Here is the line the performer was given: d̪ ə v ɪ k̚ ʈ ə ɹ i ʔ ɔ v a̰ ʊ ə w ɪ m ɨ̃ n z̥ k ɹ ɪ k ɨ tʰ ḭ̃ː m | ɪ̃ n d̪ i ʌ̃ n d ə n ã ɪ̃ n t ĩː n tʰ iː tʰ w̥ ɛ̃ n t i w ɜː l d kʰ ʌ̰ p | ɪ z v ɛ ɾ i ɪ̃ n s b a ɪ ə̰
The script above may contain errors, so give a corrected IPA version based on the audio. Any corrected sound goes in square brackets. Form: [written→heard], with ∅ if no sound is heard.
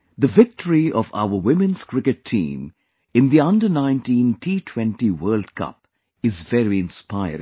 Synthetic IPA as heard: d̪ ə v ɪ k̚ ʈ ə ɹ i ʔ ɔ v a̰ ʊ ə w ɪ m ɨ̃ n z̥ k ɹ ɪ k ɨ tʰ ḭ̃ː m | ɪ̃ n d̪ i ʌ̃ n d ə n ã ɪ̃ n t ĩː n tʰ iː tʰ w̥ ɛ̃ n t i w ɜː l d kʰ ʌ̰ p | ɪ z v ɛ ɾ i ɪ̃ n s [b→p] a ɪ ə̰

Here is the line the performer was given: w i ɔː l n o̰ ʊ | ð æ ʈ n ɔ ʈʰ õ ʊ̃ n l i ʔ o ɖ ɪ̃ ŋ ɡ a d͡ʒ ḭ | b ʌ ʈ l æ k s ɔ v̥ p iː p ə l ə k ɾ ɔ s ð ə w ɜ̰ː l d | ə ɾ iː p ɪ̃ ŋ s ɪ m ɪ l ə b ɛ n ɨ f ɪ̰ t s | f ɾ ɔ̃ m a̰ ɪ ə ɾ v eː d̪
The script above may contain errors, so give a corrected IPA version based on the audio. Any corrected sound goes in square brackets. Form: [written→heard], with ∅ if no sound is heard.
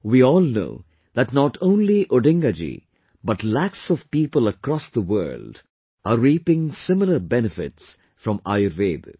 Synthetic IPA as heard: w i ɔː l n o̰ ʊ | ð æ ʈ n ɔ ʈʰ õ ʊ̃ n l i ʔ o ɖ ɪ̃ ŋ ɡ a d͡ʒ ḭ | b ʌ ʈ l æ k s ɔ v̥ p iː p ə l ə k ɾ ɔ s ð ə w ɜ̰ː l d | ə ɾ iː p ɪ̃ ŋ s ɪ m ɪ l ə b ɛ n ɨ f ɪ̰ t s | f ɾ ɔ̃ m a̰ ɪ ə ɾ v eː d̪

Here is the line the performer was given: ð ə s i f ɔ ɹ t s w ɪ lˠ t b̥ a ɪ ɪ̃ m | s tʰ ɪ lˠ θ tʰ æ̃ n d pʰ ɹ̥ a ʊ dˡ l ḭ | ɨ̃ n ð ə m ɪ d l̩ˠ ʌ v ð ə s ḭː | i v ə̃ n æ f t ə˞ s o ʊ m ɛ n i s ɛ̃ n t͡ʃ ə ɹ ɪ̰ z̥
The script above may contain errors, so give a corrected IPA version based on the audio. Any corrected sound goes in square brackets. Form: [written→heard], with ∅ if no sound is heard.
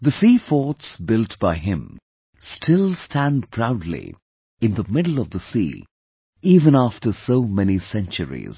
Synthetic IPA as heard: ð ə s i f ɔ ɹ t s [w→b] ɪ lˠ t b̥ a ɪ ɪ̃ m | s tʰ ɪ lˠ [θ→s] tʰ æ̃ n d pʰ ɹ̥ a ʊ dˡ l ḭ | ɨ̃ n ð ə m ɪ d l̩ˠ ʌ v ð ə s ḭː | i v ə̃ n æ f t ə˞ s o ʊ m ɛ n i s ɛ̃ n t͡ʃ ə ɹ [ɪ̰→ḭ] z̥

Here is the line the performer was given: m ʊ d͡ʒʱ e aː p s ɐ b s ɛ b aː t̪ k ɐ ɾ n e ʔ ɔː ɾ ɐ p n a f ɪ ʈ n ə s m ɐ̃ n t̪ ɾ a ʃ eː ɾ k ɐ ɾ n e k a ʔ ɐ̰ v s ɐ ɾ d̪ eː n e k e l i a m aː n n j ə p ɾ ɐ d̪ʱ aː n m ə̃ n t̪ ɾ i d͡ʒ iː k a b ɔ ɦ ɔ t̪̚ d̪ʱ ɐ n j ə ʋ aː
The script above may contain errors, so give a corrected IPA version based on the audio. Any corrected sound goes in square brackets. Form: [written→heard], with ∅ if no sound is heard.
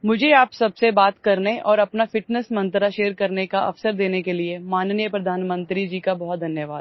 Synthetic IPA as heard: m ʊ d͡ʒʱ e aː p s ɐ b s [ɛ→e] b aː t̪ k ɐ ɾ n e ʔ ɔː ɾ ɐ p n a f ɪ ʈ n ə s m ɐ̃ n t̪ ɾ a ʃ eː ɾ k ɐ ɾ n e k a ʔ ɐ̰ [v→f] s [ɐ→ə] ɾ d̪ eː n e k e l i [a→e] m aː n n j ə p ɾ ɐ d̪ʱ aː n m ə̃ n t̪ ɾ i d͡ʒ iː k a b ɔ ɦ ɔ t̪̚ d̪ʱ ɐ n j ə ʋ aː

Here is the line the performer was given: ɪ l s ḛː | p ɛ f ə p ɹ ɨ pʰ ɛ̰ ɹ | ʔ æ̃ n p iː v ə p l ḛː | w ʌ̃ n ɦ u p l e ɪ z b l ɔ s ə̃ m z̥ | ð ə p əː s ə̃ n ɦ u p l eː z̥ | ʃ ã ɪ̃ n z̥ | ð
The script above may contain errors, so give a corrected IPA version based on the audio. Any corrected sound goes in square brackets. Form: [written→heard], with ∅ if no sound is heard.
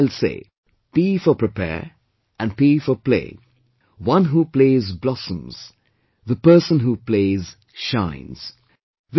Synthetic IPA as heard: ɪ l s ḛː | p [ɛ→i] f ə p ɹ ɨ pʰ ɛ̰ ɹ | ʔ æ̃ n p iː [v→f] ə p l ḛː | w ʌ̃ n ɦ u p l e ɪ z b l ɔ s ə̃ m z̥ | ð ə p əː s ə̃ n ɦ u p l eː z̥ | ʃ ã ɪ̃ n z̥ | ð

